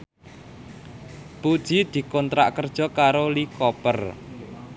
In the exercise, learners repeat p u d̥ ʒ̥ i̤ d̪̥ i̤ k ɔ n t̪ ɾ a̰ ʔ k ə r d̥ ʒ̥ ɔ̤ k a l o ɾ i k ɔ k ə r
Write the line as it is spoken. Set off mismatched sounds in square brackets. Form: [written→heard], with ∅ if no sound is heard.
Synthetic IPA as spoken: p u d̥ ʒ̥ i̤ d̪̥ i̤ k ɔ n t̪ ɾ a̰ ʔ k ə r d̥ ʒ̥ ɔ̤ k a [l→ɾ] o [ɾ→l] i k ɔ [k→p] ə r